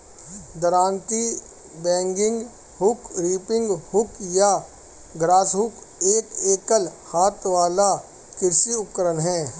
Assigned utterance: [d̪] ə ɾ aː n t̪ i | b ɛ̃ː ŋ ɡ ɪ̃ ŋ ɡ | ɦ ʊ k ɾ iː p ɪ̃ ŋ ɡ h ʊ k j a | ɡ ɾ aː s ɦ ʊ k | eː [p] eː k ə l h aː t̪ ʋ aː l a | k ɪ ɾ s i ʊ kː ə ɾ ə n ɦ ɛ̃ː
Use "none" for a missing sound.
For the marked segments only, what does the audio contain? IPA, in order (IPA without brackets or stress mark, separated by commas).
d̪, k